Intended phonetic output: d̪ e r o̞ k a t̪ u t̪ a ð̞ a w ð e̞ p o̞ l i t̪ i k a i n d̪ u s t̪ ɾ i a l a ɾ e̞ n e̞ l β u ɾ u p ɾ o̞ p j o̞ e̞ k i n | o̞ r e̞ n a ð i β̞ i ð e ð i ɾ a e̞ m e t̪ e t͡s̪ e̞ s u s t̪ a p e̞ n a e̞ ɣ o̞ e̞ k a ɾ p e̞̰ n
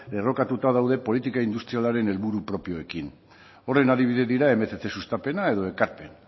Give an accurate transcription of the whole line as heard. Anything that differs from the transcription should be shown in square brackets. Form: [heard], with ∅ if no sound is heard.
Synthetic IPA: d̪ e r o̞ k a t̪ u t̪ a ð̞ a w ð e̞ p o̞ l i t̪ i k a i n d̪ u s t̪ ɾ i a l a ɾ e̞ n e̞ l β u ɾ u p ɾ o̞ p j o̞ e̞ k i n | o̞ r e̞ n a ð i β̞ i ð e ð i ɾ a e̞ m e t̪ e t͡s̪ e̞ s u s t̪ a p e̞ n a e̞ [ð] o̞ e̞ k a ɾ p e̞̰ n